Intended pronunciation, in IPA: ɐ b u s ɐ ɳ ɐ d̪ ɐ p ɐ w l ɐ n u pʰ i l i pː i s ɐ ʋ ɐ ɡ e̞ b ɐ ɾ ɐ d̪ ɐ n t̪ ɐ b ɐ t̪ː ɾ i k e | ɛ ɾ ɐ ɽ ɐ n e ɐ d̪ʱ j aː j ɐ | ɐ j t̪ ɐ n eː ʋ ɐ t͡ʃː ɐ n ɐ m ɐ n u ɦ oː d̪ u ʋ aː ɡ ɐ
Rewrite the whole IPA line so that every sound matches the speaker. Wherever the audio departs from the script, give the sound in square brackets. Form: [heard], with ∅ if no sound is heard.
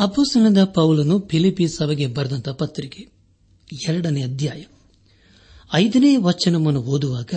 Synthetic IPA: ɐ b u s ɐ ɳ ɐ d̪ ɐ p ɐ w l ɐ n u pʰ i l i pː i s ɐ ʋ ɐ ɡ e̞ b ɐ ɾ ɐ d̪ ɐ n t̪ ɐ [p] ɐ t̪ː ɾ i k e | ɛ ɾ ɐ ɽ ɐ n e ɐ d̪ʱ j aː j ɐ | ɐ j [d̪] ɐ n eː ʋ ɐ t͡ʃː ɐ n ɐ m ɐ n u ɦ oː d̪ u ʋ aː ɡ ɐ